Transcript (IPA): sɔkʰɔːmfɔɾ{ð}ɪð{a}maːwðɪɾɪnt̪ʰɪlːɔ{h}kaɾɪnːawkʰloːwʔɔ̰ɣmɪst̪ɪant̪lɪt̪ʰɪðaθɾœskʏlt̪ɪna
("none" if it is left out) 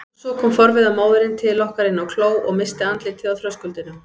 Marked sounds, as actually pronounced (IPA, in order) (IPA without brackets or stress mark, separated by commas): v, a, h